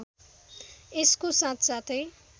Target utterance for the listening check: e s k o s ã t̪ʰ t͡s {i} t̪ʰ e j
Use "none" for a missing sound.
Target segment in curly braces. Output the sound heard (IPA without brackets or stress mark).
a